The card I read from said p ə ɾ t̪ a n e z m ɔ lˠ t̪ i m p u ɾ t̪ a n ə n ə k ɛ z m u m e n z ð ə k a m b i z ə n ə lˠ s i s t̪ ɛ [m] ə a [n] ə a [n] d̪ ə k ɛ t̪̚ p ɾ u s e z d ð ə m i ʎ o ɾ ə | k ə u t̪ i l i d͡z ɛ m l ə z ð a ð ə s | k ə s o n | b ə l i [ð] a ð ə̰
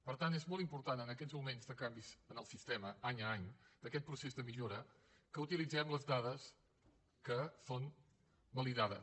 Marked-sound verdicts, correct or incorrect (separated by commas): correct, incorrect, incorrect, correct